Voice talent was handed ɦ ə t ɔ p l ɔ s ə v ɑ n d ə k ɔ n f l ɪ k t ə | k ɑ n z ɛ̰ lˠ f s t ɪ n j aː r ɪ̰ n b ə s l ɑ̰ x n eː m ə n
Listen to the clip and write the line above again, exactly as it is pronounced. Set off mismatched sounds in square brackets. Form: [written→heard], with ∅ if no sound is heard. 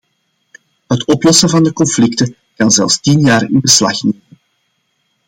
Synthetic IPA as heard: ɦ ə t ɔ p l ɔ s ə v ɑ n d ə k ɔ n f l ɪ k t ə | k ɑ n z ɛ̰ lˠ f s t [ɪ→i] n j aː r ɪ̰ n b ə s l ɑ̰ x n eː m ə n